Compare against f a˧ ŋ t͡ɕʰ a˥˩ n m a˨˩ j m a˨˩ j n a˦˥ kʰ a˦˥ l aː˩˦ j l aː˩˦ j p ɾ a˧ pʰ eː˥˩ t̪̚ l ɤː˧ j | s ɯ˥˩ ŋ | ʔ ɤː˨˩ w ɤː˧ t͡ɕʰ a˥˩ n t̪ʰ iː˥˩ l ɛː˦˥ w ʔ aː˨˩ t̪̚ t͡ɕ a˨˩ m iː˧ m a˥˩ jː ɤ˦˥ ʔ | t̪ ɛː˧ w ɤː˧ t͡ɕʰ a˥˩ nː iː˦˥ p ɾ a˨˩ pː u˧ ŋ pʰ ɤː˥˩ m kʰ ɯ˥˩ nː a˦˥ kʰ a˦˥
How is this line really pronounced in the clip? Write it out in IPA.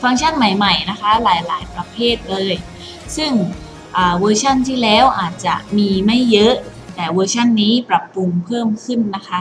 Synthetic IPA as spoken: f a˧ ŋ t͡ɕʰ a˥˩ n m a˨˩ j m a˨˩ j n a˦˥ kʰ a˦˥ l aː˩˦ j l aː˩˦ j p ɾ a˧ pʰ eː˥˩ t̪̚ l ɤː˧ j | s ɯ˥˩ ŋ | ʔ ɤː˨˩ w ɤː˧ t͡ɕʰ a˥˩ n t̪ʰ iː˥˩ l ɛː˦˥ w ʔ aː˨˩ t̪̚ t͡ɕ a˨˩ m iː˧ m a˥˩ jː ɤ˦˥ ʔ | t̪ ɛː˨˩ w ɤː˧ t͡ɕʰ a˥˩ nː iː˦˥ p ɾ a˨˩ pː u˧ ŋ pʰ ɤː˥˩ m kʰ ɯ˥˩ nː a˦˥ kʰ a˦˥